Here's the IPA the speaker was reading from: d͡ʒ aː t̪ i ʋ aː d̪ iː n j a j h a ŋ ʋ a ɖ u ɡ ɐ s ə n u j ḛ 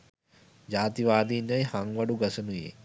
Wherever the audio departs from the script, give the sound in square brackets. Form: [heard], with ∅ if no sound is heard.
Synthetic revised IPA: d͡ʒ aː t̪ i ʋ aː d̪ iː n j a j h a ŋ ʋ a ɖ u ɡ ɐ s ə n u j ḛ

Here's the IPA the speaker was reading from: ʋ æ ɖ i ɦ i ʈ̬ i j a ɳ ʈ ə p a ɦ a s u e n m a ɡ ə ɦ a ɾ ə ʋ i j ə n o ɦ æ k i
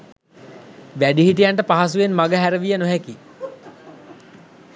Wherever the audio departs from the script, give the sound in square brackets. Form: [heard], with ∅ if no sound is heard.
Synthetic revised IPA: ʋ æ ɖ i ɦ i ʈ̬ i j a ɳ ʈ ə p a ɦ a s u e n m a ɡ ə ɦ [æ] ɾ ə ʋ i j ə n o ɦ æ k i

